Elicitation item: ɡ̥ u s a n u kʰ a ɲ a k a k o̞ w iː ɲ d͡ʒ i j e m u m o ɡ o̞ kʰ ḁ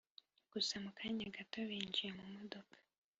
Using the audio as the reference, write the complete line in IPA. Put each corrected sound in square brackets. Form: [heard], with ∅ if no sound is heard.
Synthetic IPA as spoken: ɡ̥ u s a [m] u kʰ a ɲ a [ɡ] a [t] o̞ [β] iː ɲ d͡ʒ i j e m u m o [d] o̞ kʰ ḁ